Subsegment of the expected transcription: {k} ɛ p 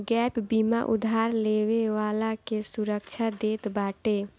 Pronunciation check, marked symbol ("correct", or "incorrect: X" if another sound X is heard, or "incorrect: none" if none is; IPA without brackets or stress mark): incorrect: ɡ